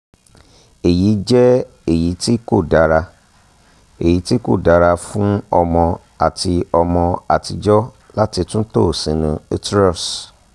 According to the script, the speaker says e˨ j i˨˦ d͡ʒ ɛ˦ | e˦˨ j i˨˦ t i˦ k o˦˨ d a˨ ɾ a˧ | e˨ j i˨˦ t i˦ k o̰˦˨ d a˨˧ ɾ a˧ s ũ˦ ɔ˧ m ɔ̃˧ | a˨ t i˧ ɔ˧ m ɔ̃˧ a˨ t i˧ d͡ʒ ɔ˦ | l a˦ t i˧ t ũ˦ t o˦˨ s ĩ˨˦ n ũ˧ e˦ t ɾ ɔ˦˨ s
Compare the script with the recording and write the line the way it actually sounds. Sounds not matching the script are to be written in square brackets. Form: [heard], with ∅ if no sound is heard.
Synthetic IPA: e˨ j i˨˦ d͡ʒ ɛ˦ | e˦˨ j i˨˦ t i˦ k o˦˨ d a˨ ɾ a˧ | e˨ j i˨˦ t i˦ k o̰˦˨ d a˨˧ ɾ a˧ [f] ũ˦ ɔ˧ m ɔ̃˧ | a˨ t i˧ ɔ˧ m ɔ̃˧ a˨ t i˧ d͡ʒ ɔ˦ | l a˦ t i˧ t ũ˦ t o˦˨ s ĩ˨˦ n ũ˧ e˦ t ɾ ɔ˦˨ s

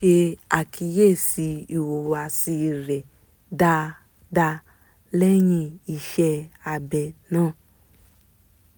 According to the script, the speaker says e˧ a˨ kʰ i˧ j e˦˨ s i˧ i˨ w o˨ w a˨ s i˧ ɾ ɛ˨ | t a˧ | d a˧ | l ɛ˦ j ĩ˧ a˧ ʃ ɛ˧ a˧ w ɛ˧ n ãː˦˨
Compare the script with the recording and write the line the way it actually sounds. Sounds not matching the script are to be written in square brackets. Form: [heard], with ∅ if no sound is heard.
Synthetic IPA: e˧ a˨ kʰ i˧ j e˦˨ s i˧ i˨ w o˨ w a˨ s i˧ ɾ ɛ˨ | [d] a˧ | d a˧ | l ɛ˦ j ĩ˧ [i˧] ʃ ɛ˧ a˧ [b] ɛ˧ n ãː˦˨

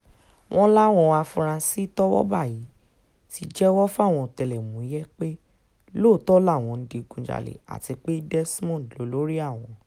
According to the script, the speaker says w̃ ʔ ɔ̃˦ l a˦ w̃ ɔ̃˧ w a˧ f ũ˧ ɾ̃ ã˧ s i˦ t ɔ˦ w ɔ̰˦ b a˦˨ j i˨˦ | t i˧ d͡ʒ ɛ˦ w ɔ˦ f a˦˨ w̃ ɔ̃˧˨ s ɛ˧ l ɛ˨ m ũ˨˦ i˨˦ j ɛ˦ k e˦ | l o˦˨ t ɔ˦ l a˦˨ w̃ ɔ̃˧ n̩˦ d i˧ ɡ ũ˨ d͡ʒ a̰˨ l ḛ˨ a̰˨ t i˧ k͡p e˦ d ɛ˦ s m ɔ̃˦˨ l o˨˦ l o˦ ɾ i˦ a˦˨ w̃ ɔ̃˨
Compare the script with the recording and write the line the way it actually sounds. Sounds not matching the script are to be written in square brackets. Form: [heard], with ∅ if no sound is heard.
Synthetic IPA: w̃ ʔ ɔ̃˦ l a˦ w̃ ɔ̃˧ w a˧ f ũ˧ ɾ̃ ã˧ s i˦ t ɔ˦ w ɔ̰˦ b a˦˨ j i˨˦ | t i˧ d͡ʒ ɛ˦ w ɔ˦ f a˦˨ w̃ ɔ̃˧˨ [t] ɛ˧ l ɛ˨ m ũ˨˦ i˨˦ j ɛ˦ [k͡p] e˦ | l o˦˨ t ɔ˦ l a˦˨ w̃ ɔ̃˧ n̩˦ d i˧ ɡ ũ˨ d͡ʒ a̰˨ l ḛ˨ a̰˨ t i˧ k͡p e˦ d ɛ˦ s m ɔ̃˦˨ l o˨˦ l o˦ ɾ i˦ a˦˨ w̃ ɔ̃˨

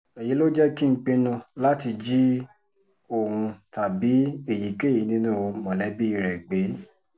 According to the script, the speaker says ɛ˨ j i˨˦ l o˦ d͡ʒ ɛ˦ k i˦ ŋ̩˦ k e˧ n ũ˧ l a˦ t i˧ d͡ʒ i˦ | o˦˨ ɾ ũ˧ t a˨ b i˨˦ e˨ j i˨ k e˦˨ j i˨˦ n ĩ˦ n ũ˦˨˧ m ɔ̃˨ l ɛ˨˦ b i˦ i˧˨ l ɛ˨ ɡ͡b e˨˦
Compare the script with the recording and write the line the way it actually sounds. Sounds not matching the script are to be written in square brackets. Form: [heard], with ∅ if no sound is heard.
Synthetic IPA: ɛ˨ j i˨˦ l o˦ d͡ʒ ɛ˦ k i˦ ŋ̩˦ [k͡p] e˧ n ũ˧ l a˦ t i˧ d͡ʒ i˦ | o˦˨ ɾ ũ˧ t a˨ b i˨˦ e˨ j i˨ k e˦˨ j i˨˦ n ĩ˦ n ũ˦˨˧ m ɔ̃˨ l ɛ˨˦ b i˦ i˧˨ [ɾ] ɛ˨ ɡ͡b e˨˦

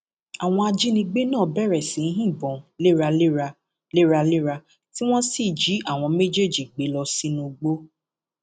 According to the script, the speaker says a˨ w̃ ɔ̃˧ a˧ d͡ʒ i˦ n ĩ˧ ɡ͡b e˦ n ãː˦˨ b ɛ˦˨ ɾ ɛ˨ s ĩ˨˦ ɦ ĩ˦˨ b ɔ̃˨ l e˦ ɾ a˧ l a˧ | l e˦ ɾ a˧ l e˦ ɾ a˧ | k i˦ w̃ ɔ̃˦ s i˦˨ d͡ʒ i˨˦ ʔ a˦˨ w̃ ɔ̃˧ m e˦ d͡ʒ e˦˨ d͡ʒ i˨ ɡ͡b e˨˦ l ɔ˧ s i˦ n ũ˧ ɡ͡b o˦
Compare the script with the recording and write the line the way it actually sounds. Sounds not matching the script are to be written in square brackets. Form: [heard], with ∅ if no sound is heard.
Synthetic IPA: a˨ w̃ ɔ̃˧ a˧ d͡ʒ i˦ n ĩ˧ ɡ͡b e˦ n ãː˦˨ b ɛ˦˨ ɾ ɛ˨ s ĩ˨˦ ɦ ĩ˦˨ b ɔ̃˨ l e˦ ɾ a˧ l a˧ | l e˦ ɾ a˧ l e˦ ɾ a˧ | [t] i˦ w̃ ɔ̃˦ s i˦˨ d͡ʒ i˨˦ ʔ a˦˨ w̃ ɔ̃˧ m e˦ d͡ʒ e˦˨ d͡ʒ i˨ ɡ͡b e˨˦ l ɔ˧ s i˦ n ũ˧ ɡ͡b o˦

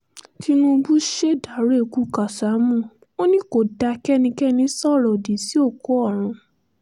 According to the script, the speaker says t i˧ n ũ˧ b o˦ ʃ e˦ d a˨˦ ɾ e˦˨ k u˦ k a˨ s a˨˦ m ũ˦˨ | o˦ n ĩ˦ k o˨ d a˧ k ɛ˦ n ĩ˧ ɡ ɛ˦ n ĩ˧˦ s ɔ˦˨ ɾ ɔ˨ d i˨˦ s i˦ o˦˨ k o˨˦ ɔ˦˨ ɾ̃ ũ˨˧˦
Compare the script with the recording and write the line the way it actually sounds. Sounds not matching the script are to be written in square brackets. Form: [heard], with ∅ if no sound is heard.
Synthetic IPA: t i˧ n ũ˧ b [u˦] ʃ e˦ d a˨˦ ɾ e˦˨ k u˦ k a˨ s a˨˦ m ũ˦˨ | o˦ n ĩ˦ k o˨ d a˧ k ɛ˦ n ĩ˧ [k] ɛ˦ n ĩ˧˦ s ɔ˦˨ ɾ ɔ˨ d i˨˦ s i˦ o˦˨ k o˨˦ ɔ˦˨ ɾ̃ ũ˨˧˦

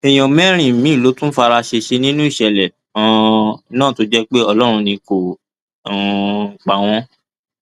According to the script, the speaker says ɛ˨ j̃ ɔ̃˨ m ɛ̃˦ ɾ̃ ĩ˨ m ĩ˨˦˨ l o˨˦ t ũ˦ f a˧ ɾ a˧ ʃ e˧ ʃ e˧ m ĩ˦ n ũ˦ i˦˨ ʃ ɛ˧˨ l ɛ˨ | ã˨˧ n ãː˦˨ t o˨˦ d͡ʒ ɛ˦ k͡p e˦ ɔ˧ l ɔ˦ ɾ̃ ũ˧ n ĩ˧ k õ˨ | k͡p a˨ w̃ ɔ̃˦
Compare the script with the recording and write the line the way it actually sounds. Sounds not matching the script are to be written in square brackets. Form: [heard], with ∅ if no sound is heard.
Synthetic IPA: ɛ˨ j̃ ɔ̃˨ m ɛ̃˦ ɾ̃ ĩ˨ m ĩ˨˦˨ l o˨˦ t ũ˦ f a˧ ɾ a˧ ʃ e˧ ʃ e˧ [n] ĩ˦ n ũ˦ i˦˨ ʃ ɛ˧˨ l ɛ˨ | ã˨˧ n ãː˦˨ t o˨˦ d͡ʒ ɛ˦ k͡p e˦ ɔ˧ l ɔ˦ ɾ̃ ũ˧ n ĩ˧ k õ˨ | k͡p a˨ w̃ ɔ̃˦

